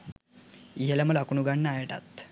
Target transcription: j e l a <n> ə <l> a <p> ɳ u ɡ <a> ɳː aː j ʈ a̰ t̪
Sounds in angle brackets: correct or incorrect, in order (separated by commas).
incorrect, correct, incorrect, correct